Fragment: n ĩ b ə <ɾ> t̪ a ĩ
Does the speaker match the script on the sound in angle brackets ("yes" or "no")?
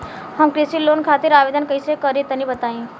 no